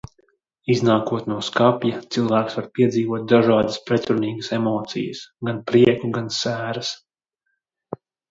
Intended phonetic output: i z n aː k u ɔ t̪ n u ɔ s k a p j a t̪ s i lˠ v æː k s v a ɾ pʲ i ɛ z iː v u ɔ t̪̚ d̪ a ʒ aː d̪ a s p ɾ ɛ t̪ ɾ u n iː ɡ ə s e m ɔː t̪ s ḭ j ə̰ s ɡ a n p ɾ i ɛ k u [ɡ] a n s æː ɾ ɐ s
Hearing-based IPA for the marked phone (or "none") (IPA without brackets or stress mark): ɡ